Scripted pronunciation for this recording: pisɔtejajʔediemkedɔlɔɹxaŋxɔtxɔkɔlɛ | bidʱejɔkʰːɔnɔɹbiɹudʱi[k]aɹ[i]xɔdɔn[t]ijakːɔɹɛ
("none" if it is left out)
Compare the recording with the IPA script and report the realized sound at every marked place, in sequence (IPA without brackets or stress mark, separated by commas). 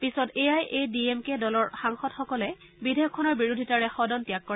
t, ɛ, t